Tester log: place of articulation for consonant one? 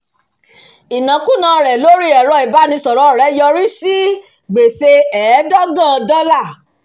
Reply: alveolar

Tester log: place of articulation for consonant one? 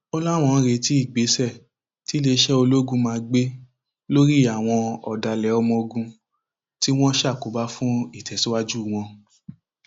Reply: alveolar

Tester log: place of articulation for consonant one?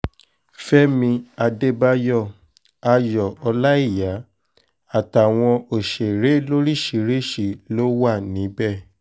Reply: labial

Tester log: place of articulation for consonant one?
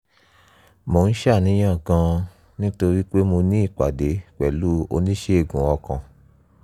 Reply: labial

